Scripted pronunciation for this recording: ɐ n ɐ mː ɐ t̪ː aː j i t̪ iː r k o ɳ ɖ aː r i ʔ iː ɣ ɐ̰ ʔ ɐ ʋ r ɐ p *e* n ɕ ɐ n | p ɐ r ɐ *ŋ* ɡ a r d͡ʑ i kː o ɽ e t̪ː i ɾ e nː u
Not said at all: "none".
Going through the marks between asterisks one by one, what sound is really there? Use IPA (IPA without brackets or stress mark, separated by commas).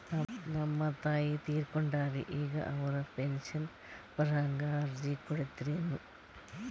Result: e, ŋ